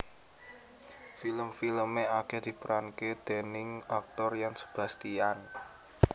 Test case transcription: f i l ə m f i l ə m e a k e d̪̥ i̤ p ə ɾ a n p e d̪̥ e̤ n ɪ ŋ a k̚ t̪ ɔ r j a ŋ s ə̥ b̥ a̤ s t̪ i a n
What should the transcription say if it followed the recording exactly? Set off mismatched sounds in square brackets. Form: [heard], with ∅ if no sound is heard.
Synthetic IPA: f i l ə m f i l ə m e a k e d̪̥ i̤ p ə ɾ a n [k] e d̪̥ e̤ n ɪ ŋ a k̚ t̪ ɔ r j a ŋ s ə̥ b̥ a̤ s t̪ i a n